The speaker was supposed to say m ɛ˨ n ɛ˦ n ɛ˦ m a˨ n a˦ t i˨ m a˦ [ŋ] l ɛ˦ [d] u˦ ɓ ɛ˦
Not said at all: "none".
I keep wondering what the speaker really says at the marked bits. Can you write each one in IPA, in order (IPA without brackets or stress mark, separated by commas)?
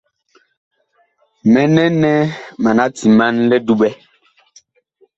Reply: n, d